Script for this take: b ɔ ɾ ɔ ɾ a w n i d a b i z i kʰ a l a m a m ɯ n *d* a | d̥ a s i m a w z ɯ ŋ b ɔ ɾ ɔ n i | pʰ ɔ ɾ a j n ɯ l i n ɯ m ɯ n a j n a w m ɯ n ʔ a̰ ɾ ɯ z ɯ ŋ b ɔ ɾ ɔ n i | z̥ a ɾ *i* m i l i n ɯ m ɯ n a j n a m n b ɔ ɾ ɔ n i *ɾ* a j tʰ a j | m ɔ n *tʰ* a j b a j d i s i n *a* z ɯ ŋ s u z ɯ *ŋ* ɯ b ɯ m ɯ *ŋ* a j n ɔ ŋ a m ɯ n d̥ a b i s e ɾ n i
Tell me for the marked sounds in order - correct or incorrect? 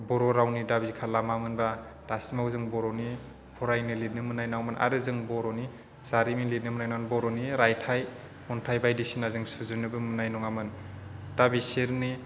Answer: incorrect: b, correct, correct, correct, correct, incorrect: n, incorrect: n

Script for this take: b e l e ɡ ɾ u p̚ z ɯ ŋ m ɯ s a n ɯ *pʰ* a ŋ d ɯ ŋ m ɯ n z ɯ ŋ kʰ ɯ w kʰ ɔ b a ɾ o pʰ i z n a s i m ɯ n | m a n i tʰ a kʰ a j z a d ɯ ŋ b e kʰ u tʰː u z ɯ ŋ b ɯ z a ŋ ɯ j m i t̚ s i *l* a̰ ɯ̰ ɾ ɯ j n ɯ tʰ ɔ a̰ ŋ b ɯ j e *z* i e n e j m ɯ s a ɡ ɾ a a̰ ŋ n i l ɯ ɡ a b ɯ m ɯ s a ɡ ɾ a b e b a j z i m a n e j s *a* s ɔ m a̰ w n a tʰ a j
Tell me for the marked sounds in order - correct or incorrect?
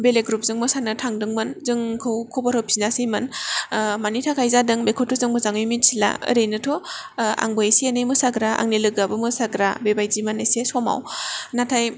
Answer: incorrect: tʰ, correct, incorrect: s, incorrect: e

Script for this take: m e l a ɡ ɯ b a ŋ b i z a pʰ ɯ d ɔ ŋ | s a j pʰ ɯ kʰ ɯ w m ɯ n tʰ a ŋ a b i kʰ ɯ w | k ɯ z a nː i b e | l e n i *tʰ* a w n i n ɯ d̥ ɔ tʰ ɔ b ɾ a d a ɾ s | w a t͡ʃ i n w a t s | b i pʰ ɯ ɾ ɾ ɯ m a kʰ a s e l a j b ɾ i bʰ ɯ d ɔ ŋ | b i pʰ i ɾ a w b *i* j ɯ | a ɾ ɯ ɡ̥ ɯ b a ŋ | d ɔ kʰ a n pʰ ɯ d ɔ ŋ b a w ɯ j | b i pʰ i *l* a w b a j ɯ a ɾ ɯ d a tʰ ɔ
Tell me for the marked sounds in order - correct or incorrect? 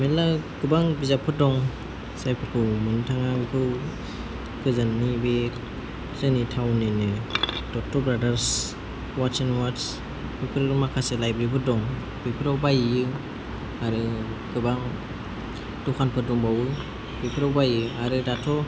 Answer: correct, incorrect: a, incorrect: ɾ

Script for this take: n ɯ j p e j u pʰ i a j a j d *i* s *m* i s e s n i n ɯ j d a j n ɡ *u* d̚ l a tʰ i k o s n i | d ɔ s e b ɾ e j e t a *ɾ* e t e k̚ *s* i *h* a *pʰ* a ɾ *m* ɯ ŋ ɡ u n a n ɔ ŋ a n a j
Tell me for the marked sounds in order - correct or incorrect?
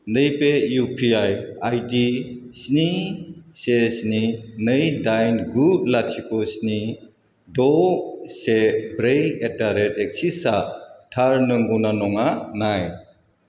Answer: correct, incorrect: n, correct, correct, correct, incorrect: s, incorrect: tʰ, incorrect: n

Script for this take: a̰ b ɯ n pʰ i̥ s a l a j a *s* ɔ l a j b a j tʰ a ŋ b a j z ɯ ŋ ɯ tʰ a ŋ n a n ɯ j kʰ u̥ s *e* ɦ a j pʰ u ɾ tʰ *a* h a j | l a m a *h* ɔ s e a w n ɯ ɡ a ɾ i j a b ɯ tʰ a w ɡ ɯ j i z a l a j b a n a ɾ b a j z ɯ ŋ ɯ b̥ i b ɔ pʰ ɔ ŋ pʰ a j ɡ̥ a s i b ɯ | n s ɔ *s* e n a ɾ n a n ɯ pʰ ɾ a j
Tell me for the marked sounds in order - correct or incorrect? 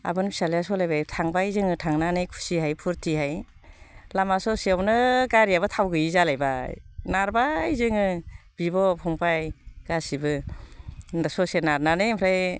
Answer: correct, incorrect: i, incorrect: i, incorrect: s, correct

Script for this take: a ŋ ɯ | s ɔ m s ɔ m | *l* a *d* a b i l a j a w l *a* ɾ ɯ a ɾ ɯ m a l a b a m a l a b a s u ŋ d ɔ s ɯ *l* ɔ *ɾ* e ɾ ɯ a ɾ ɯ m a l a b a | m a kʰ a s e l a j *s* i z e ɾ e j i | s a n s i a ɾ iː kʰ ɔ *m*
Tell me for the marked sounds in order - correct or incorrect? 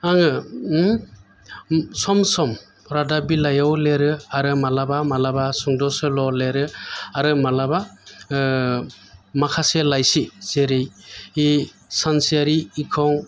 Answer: incorrect: ɾ, correct, incorrect: e, correct, incorrect: l, correct, incorrect: ŋ

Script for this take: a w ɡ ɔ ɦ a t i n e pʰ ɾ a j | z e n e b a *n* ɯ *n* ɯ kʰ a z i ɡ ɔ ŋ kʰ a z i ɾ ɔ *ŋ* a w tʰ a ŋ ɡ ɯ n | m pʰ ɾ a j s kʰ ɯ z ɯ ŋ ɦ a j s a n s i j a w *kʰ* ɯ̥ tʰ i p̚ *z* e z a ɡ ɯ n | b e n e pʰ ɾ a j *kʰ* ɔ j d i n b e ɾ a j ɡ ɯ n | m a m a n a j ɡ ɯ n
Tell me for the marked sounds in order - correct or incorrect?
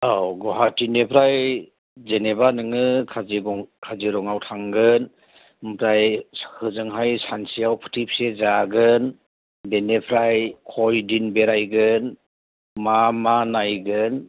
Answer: correct, incorrect: ŋ, correct, incorrect: pʰ, incorrect: s, correct

